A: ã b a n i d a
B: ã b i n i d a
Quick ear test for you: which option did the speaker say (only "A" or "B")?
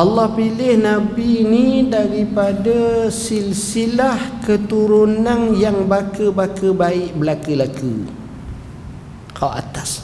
B